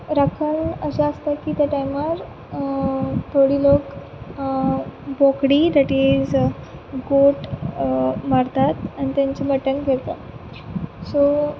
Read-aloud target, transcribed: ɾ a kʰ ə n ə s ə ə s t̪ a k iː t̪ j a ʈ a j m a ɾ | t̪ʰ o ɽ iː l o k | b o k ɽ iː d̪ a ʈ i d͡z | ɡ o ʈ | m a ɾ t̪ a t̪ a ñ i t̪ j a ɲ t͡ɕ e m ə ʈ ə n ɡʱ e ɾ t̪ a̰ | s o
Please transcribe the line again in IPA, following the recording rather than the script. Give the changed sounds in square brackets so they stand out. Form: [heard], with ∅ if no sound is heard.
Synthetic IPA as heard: ɾ a kʰ ə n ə s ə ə s t̪ a k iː t̪ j a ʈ a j m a ɾ | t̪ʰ o ɽ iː l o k | b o k ɽ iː d̪ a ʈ i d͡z | ɡ o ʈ | m a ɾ t̪ a t̪ a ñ i t̪ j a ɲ t͡ɕ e m ə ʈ ə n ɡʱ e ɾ t̪ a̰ | s o